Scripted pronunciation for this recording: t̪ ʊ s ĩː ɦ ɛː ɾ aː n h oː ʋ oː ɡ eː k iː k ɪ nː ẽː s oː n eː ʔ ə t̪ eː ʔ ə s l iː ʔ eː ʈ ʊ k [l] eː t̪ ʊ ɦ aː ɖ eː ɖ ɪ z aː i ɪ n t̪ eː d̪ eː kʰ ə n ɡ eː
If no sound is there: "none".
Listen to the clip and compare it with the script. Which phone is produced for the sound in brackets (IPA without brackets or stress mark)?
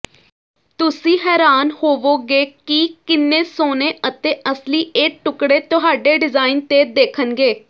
ɽ